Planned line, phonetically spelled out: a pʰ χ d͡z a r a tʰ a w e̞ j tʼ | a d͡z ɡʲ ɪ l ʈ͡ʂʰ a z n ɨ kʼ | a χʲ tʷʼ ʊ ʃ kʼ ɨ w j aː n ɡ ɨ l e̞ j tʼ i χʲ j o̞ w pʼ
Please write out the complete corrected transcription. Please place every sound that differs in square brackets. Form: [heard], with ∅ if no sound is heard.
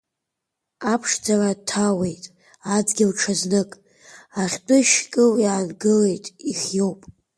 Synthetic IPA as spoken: a pʰ [ʂ] d͡z a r a tʰ a w e̞ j tʼ | a d͡z ɡʲ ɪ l ʈ͡ʂʰ a z n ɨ kʼ | a χʲ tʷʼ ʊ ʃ kʼ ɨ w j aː n ɡ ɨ l e̞ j tʼ i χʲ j o̞ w pʼ